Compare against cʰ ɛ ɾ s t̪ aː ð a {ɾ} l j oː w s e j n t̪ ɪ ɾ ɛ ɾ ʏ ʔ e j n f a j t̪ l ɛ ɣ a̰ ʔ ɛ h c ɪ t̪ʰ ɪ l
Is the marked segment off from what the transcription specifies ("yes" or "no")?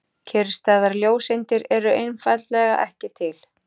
no